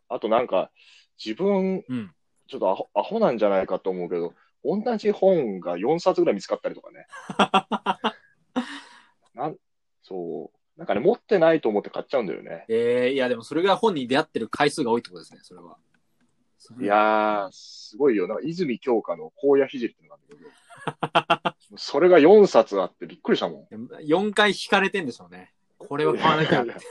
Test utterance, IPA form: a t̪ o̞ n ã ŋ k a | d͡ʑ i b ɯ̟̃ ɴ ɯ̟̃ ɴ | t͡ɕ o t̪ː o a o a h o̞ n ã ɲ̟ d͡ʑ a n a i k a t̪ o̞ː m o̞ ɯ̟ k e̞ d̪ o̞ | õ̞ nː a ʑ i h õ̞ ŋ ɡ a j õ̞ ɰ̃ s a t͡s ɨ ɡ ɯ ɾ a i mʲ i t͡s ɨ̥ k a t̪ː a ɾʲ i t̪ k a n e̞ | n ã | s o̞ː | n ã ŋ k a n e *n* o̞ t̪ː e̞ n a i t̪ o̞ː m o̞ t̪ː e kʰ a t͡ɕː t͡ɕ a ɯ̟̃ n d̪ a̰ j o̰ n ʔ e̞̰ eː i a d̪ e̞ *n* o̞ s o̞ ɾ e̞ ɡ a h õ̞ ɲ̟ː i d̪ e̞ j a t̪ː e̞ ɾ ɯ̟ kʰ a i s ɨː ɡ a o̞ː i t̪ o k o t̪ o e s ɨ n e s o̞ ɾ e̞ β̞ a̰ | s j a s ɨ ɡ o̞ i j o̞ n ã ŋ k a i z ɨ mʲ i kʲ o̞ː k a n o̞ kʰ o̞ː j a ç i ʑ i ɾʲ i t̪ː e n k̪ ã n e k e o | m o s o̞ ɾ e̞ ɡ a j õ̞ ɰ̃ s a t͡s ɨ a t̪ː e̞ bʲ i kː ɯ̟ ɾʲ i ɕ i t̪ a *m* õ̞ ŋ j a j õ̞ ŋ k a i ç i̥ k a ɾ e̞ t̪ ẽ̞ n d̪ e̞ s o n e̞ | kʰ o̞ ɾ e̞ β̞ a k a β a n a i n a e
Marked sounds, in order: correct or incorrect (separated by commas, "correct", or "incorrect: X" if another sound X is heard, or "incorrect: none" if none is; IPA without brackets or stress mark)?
incorrect: m, incorrect: m, correct